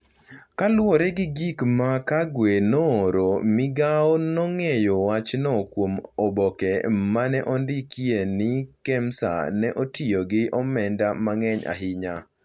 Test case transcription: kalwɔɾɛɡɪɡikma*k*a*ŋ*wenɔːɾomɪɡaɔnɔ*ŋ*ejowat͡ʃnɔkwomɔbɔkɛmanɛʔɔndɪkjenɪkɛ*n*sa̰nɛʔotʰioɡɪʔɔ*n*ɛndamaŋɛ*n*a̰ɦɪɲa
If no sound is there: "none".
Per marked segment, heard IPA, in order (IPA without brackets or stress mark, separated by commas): k, ɡ, ŋ, m, m, ɲ